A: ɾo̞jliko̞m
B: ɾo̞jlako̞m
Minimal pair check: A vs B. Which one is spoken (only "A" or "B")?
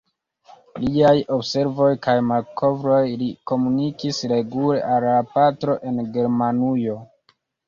A